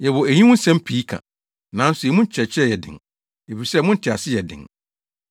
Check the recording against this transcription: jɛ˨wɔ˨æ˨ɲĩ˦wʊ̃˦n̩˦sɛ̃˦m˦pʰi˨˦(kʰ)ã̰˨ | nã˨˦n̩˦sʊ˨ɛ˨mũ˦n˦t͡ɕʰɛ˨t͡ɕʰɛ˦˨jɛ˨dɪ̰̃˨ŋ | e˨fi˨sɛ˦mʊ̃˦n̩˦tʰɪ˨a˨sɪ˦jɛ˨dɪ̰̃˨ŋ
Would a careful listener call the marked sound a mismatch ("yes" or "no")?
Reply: no